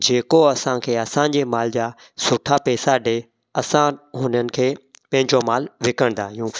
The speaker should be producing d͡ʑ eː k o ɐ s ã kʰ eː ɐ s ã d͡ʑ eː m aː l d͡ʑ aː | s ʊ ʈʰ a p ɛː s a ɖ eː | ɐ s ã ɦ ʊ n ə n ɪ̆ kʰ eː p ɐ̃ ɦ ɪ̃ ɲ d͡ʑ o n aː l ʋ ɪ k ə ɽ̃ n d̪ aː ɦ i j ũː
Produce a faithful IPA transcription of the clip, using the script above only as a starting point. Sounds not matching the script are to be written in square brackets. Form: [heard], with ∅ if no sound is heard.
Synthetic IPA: d͡ʑ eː k o ɐ s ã kʰ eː ɐ s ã d͡ʑ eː m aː l d͡ʑ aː | s ʊ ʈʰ a p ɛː s a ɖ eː | ɐ s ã ɦ ʊ n ə n ɪ̆ kʰ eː p ɐ̃ ɦ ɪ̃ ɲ d͡ʑ o [m] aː l ʋ ɪ k ə ɽ̃ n d̪ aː ɦ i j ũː